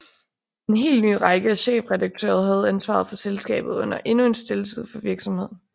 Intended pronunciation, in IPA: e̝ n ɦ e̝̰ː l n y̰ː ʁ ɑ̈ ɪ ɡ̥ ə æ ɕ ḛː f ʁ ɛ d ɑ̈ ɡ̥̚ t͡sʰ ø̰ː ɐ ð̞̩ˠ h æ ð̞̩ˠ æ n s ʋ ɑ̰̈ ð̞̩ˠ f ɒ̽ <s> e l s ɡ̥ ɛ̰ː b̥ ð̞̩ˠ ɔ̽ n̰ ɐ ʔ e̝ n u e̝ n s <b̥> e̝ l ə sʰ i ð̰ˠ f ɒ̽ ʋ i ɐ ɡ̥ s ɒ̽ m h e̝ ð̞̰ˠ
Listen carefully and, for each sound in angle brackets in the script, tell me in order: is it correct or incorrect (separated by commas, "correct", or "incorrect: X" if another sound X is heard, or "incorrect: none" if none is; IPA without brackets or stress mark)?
correct, incorrect: d̥